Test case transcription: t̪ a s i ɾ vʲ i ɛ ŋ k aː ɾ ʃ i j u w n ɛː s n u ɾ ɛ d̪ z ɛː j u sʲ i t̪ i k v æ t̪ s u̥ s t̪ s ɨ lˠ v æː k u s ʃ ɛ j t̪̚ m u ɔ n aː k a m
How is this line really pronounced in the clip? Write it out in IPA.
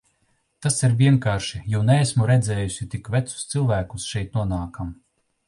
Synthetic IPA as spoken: t̪ a s i ɾ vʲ i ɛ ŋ k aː ɾ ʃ i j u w n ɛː s m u ɾ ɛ d̪ z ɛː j u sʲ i t̪ i k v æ t̪ s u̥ s t̪ s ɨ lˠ v æː k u s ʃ ɛ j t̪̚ n u ɔ n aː k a m